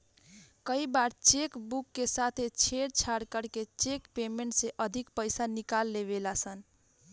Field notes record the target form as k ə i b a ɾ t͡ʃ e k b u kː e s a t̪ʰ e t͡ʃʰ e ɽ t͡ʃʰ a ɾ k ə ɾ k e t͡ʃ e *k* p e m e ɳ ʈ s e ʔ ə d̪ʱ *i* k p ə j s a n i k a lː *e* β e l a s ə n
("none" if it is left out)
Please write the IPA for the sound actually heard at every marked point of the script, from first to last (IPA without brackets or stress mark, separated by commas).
k, i, e